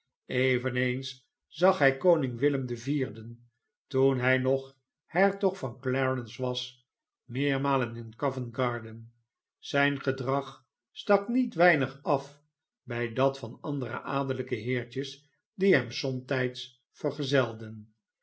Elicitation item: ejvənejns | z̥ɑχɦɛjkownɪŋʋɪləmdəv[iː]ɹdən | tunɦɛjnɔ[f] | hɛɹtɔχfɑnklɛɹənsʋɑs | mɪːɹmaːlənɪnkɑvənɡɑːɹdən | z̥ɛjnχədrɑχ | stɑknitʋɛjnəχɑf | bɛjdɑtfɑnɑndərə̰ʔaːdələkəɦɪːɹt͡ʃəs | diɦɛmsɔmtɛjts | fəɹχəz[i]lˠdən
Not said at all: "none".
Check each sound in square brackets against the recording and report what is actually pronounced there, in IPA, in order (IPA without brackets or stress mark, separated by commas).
iː, χ, ɛ